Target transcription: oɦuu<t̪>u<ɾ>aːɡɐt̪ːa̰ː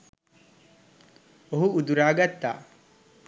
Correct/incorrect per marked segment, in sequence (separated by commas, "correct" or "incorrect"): incorrect, correct